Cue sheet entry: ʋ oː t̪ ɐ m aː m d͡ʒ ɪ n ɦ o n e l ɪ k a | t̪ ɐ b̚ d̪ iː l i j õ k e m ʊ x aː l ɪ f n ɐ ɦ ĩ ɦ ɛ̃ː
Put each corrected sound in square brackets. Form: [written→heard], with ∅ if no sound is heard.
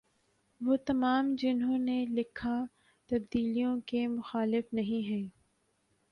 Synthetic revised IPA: ʋ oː t̪ ɐ m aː m d͡ʒ ɪ n ɦ [o→õ] n e l ɪ [k→kʰ] a | t̪ ɐ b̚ d̪ iː l i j õ k e m ʊ x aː l ɪ f n ɐ ɦ ĩ ɦ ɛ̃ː